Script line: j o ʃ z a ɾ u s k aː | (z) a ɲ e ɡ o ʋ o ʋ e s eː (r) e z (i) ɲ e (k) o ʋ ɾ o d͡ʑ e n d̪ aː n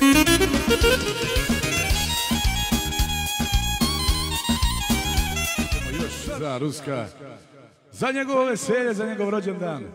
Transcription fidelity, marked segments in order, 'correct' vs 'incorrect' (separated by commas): correct, incorrect, incorrect, incorrect